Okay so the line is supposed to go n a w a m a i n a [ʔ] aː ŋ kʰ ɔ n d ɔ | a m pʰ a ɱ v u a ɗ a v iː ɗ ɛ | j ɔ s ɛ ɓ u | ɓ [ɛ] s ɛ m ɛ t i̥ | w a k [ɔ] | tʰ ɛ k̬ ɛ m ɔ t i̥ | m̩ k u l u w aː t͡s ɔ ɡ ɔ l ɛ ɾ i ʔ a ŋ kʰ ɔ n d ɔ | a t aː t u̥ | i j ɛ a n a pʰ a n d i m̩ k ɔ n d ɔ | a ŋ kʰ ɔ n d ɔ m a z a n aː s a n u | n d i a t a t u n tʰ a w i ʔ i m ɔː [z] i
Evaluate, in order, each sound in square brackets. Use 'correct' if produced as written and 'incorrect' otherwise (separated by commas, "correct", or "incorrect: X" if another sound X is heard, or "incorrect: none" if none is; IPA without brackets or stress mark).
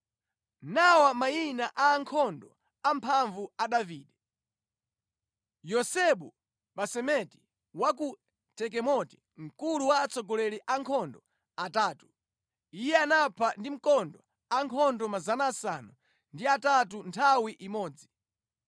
correct, incorrect: a, incorrect: u, incorrect: d͡z